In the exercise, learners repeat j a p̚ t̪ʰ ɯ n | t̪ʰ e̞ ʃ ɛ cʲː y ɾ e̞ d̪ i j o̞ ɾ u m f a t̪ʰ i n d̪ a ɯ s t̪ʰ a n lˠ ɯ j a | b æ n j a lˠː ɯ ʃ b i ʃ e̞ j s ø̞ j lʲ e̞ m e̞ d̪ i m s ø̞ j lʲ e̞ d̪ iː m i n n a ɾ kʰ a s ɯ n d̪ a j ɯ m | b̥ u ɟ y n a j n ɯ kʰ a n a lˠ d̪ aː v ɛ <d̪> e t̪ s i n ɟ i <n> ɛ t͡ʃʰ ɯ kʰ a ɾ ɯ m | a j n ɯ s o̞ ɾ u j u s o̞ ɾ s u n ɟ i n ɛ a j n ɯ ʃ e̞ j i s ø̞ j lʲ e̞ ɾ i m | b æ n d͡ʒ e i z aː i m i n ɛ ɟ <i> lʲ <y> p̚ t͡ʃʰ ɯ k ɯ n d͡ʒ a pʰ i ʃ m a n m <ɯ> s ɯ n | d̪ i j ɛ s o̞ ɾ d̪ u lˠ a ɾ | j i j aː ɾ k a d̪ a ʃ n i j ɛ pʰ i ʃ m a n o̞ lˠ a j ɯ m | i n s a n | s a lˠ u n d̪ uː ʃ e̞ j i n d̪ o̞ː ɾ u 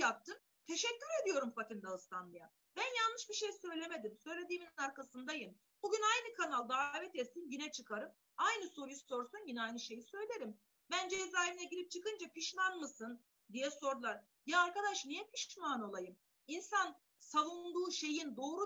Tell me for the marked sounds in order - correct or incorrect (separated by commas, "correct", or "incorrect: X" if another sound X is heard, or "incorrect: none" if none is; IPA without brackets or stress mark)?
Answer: incorrect: t̪, correct, correct, incorrect: i, correct